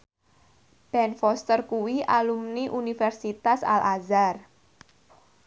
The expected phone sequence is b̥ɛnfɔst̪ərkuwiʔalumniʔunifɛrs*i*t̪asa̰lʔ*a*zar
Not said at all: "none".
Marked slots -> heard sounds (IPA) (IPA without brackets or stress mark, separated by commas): i, a